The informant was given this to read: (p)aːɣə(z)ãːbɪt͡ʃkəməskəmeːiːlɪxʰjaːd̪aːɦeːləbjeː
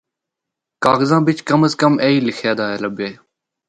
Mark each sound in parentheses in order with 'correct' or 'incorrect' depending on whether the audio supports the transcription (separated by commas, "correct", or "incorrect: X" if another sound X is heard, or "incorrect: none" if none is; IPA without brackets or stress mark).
incorrect: k, correct